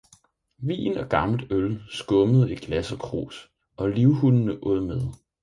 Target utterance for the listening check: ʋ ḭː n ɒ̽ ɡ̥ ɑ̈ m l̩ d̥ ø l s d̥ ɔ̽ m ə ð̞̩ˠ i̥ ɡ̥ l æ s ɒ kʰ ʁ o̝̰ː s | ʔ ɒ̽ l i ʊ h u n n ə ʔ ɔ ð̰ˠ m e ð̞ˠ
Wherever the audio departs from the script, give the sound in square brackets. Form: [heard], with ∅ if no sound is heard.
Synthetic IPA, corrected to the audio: ʋ ḭː n ɒ̽ ɡ̥ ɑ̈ m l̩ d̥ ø l s [ɡ̥] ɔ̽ m ə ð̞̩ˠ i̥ ɡ̥ l æ s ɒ kʰ ʁ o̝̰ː s | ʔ ɒ̽ l i ʊ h u n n ə ʔ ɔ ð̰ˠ m e ð̞ˠ